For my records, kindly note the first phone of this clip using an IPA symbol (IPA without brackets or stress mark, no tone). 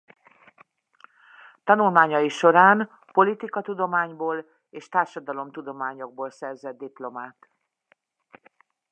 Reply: t̪